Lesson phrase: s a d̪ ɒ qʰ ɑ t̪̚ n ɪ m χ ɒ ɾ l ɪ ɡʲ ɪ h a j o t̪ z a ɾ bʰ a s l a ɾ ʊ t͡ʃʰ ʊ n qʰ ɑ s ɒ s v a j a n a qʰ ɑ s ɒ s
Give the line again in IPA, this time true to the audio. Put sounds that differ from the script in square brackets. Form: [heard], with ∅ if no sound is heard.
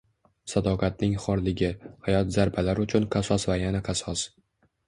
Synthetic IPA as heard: s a d̪ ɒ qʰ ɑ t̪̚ n ɪ [ŋ] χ ɒ ɾ l ɪ ɡʲ ɪ h a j [ɒ] t̪ z a ɾ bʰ a [∅] l a ɾ ʊ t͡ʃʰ ʊ n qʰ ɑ s ɒ s v a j a n a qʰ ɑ s ɒ s